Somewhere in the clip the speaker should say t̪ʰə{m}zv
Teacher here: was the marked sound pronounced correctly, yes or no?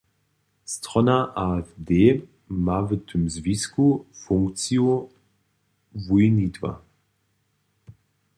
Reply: yes